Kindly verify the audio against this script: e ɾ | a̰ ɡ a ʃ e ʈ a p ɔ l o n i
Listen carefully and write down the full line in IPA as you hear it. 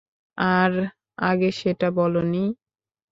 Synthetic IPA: a ɾ | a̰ ɡ e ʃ e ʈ a b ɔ l o n i